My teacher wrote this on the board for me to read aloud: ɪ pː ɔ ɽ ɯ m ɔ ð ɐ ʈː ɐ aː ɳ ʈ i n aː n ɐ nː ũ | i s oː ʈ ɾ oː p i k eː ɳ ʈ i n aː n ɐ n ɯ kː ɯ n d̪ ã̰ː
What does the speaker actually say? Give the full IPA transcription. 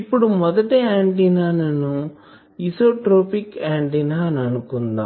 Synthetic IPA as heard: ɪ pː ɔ ɽ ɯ m ɔ ð ɐ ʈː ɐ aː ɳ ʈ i n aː n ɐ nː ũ | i s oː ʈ ɾ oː p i k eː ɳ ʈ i n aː n ɐ n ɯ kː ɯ n d̪ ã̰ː